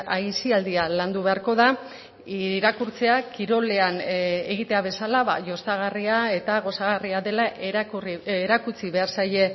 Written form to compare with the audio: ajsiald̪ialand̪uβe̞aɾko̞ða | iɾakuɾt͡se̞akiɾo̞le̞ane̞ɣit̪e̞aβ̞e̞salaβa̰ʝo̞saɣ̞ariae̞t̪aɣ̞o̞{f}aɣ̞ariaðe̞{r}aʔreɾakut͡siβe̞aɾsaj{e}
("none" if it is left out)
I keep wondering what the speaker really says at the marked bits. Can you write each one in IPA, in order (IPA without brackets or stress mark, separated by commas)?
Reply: s, l, e